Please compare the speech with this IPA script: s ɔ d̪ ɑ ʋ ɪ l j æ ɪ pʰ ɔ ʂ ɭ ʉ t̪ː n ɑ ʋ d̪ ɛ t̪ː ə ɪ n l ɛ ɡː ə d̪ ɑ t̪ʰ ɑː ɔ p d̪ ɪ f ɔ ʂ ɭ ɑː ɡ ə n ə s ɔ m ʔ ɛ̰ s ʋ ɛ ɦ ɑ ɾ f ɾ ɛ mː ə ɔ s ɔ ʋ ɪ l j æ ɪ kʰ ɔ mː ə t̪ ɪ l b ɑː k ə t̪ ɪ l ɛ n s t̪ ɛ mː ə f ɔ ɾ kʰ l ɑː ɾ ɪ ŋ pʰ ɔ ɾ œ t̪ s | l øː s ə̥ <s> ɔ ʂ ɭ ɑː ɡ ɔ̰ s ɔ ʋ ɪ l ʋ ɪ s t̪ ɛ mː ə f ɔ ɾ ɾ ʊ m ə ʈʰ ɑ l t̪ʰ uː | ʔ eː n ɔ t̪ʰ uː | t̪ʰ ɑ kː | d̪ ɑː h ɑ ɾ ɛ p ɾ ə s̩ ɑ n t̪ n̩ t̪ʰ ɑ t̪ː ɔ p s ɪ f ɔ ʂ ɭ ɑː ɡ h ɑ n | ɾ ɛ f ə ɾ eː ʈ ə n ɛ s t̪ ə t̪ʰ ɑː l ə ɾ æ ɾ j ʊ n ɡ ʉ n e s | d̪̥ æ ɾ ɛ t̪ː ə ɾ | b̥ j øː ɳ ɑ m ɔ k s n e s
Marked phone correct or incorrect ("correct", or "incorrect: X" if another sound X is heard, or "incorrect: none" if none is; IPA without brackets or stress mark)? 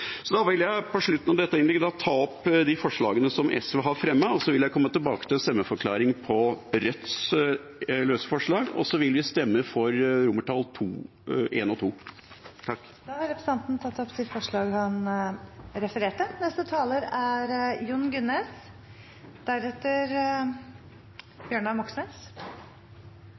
incorrect: f